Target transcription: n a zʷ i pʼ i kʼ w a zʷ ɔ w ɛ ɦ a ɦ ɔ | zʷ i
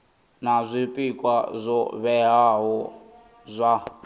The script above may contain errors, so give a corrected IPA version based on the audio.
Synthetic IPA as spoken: n a zʷ i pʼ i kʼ w a zʷ ɔ β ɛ ɦ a ɦ ɔ | zʷ a